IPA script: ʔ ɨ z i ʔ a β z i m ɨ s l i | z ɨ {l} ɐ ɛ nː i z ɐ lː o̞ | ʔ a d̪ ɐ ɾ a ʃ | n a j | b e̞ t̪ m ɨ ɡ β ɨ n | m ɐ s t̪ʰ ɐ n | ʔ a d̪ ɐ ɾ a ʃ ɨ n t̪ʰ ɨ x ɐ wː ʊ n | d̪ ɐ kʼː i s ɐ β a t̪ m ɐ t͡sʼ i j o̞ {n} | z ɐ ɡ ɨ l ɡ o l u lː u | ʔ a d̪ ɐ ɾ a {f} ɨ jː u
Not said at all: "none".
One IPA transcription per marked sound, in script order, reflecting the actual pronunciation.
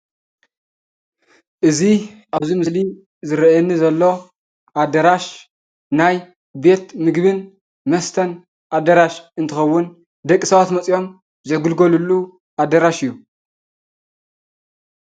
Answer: ɾ, m, ʃ

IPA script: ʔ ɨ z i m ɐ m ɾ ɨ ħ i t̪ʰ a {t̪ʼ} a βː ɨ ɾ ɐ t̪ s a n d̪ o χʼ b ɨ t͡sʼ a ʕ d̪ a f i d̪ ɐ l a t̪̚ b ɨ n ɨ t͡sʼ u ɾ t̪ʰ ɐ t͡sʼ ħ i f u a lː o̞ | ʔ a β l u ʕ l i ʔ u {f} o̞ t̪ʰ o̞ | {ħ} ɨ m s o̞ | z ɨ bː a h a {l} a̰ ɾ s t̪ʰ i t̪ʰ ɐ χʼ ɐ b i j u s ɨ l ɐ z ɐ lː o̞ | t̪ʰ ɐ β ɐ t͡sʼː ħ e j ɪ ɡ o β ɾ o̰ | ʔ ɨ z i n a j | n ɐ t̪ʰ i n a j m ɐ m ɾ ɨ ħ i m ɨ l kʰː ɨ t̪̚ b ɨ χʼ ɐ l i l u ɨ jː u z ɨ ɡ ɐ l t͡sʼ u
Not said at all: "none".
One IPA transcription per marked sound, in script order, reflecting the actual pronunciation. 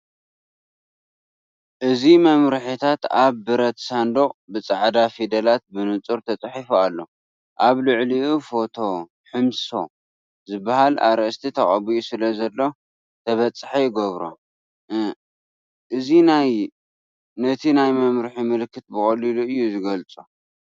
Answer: t̪, f, ħ, l

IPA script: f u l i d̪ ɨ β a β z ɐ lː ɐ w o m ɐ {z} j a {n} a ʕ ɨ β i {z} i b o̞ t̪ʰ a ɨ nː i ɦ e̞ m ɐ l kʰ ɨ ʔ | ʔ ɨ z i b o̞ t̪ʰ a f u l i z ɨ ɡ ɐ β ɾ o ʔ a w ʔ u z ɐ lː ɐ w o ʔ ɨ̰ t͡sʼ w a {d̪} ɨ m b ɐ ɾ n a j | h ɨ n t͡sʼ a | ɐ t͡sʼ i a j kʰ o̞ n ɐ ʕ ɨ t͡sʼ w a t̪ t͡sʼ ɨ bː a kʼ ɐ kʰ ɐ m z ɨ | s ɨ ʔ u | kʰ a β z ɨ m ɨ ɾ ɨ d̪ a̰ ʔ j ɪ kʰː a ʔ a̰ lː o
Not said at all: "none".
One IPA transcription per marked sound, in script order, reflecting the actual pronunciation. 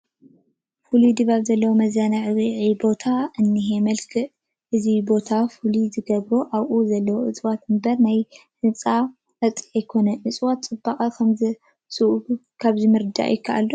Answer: z, n, ʕ, t̪

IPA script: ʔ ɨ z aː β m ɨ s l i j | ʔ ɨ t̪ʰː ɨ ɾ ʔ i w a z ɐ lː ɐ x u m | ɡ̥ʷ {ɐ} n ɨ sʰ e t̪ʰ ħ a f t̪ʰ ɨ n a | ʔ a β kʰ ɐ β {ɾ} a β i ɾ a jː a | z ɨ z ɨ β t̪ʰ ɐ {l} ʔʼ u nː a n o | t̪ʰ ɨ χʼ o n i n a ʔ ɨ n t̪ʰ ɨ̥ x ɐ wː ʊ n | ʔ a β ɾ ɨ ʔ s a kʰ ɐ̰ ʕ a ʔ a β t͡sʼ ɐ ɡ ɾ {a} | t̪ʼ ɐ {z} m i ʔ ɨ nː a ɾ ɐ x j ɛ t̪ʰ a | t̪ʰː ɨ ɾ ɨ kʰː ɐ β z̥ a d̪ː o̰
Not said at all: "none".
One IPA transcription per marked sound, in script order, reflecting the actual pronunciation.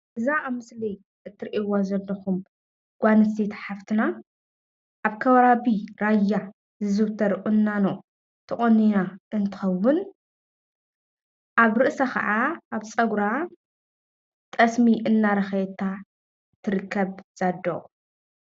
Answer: a, ɾ, ɾ, a, s

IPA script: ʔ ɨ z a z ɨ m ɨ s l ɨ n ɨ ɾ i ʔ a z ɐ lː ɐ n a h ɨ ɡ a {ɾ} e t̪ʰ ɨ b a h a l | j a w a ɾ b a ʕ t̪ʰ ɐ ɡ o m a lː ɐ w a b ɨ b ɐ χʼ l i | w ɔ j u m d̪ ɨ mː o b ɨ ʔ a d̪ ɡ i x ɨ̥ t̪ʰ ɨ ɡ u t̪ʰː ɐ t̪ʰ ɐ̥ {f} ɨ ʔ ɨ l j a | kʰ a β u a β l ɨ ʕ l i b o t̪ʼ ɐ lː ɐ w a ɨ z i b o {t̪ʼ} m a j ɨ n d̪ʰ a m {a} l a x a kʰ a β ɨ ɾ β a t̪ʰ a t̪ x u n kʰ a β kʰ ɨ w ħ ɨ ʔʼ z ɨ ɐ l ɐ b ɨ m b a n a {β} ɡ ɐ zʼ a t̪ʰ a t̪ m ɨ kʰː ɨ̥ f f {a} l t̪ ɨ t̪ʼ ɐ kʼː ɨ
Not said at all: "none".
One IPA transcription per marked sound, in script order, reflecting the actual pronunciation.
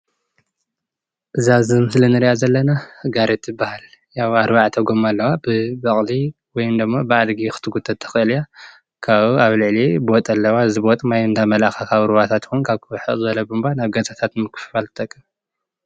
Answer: ɾ, x, t̪ʼ, ɐ, β, a

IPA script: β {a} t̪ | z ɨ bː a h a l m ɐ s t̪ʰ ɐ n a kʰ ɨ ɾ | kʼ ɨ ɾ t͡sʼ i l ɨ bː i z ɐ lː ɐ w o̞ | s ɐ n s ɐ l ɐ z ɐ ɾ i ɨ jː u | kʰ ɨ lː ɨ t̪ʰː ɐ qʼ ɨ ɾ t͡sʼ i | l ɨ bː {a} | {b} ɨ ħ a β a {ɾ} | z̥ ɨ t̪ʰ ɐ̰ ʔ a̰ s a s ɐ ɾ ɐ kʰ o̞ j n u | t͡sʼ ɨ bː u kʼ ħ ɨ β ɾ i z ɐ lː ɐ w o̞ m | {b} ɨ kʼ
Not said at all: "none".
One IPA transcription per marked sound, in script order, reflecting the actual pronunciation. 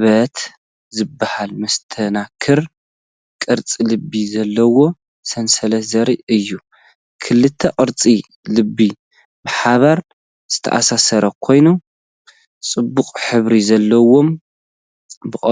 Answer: ɐ, i, b, ɾ, b

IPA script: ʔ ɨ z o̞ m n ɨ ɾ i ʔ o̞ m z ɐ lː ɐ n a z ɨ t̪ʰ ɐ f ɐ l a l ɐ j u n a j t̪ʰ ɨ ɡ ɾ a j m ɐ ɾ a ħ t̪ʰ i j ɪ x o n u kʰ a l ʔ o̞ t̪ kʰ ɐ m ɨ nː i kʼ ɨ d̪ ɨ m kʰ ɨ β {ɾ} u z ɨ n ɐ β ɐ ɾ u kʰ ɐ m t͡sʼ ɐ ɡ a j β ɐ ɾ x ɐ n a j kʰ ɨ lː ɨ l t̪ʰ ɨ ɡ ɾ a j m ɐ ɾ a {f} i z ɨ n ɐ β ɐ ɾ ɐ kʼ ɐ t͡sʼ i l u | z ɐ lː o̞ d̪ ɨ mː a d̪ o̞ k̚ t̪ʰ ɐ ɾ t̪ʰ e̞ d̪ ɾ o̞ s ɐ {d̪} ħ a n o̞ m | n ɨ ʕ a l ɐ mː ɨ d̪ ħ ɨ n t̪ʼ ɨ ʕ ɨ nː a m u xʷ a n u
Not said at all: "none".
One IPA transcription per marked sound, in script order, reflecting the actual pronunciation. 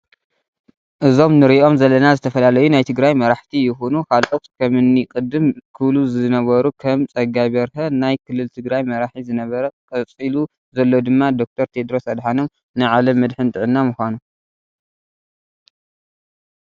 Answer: l, ħ, d̪

